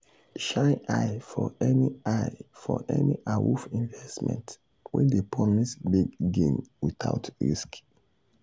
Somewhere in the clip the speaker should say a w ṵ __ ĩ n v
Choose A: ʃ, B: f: B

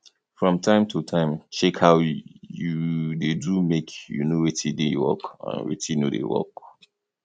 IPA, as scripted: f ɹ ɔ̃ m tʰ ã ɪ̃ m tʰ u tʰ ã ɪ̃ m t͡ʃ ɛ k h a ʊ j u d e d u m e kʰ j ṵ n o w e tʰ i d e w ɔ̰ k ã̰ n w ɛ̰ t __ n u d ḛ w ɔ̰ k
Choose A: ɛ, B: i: B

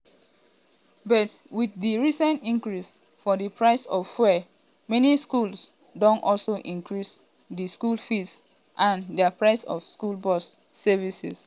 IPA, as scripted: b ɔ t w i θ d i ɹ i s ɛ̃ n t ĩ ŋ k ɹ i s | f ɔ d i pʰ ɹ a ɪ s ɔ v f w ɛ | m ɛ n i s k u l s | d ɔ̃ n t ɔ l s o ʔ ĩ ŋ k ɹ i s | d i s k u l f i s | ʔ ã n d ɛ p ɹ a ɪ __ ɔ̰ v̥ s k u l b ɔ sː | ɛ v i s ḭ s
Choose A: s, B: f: A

